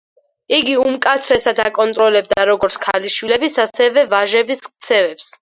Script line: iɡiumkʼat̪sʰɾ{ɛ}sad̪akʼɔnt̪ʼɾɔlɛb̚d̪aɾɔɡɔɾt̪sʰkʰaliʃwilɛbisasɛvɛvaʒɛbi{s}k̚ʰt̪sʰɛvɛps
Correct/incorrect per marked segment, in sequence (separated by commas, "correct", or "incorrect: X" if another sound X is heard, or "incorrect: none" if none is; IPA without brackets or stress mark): correct, correct